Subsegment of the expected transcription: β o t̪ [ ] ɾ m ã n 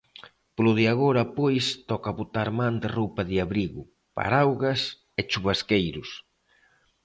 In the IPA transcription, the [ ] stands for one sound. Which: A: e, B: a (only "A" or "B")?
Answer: B